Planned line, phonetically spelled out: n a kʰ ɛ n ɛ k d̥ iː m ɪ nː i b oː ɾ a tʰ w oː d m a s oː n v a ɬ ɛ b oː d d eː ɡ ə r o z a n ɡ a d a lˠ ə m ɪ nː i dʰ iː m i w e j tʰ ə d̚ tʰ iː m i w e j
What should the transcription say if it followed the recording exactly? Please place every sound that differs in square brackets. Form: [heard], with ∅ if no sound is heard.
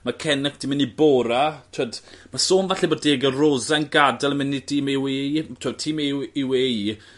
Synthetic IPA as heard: [m] a kʰ ɛ n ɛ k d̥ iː m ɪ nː i b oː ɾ a tʰ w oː d m a s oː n v a ɬ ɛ b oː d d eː ɡ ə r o z a n ɡ a d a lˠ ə m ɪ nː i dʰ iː m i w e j tʰ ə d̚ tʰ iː m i w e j